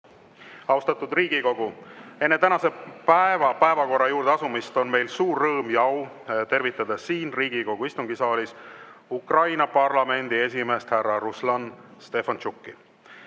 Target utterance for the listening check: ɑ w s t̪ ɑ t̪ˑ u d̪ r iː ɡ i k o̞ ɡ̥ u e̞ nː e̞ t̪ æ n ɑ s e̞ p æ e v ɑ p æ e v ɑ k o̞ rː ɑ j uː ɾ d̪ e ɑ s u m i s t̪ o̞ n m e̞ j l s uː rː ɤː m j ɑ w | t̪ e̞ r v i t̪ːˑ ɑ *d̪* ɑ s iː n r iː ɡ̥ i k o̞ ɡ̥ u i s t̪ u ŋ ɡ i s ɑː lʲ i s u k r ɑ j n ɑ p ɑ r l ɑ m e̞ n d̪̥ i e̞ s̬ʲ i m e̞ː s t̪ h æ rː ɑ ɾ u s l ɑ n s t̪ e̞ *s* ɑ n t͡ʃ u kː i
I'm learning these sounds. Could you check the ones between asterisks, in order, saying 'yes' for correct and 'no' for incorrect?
yes, no

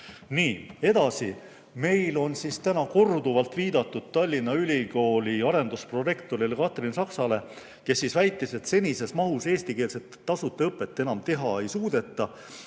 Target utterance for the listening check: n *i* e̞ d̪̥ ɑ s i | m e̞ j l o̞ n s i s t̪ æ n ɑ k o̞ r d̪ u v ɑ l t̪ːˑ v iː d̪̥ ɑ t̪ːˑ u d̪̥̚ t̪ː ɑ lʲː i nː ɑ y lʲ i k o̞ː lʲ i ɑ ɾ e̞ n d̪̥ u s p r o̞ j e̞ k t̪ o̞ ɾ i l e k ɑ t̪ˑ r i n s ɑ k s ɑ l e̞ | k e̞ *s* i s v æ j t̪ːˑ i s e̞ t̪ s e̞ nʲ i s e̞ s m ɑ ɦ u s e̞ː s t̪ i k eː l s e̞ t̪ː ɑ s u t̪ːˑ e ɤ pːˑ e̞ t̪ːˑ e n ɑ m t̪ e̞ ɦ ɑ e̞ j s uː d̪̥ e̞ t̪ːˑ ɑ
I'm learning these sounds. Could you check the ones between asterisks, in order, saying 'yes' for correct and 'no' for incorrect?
no, no

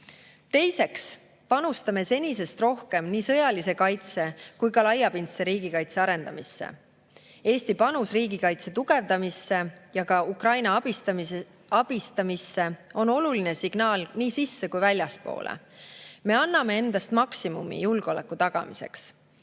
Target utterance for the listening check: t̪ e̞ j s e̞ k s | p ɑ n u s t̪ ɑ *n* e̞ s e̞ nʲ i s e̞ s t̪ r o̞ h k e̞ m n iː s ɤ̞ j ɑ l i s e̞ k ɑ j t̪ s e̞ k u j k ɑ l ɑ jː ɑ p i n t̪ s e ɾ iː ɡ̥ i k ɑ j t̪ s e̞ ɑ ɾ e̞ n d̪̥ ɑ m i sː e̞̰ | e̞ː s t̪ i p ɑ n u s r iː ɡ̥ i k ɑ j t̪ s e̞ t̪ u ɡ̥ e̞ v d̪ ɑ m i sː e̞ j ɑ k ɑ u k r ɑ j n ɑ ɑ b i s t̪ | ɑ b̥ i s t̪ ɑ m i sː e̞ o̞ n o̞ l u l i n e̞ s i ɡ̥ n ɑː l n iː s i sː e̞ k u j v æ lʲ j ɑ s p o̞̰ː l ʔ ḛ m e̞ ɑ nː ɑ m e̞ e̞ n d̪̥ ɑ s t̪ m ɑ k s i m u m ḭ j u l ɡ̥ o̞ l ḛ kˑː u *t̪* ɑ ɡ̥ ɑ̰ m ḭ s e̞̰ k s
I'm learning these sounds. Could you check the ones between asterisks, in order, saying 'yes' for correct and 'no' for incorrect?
no, yes

